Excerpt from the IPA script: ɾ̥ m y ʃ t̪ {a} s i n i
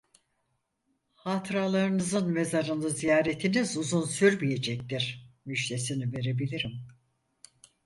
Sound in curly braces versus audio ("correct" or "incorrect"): incorrect